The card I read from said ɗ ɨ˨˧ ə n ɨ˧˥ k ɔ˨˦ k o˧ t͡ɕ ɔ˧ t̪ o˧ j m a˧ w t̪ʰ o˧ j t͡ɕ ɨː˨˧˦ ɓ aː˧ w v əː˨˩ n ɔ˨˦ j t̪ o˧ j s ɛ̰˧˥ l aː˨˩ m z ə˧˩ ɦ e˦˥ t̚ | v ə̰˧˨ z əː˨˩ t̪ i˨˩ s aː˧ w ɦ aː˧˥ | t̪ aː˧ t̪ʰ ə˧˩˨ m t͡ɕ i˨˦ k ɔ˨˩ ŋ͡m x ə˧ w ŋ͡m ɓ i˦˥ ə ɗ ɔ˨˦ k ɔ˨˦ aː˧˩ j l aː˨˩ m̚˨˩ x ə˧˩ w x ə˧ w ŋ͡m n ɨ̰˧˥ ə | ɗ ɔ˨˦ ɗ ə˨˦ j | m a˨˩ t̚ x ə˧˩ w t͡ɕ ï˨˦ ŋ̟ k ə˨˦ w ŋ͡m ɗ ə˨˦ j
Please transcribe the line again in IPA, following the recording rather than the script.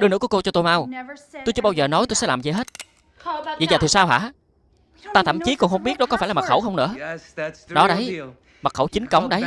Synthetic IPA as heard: ɗ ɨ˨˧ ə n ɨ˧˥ k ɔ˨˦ k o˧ t͡ɕ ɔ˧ t̪ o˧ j m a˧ w t̪ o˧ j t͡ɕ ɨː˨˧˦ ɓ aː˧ w z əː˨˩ n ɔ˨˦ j t̪ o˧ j s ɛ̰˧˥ l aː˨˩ m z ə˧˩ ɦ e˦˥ t̚ | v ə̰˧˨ z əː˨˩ t̪ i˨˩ s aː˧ w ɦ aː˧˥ | t̪ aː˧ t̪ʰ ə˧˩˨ m t͡ɕ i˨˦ k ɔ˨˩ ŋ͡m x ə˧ w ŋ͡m ɓ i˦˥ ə ɗ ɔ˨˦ k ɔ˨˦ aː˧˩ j l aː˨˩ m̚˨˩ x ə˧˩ w x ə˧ w ŋ͡m n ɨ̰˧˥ ə | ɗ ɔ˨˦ ɗ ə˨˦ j | m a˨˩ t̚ x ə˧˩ w t͡ɕ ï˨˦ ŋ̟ k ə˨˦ w ŋ͡m ɗ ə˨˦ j